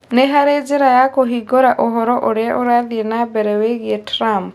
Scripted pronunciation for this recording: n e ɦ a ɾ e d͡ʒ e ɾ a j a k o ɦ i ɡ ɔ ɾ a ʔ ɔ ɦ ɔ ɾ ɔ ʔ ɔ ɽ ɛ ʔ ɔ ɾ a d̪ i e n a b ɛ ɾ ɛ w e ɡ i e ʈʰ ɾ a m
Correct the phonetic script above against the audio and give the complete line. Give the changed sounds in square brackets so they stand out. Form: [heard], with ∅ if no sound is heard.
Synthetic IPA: n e ɦ a ɾ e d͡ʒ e ɾ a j a k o ɦ i ɡ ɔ ɾ a ʔ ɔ ɦ ɔ ɾ ɔ ʔ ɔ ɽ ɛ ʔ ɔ ɾ a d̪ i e n a b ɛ ɾ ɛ w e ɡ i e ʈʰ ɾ a m